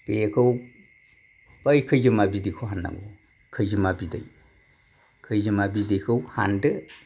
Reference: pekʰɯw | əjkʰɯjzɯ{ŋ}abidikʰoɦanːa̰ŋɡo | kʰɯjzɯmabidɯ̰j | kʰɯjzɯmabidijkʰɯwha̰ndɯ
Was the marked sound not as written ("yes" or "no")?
yes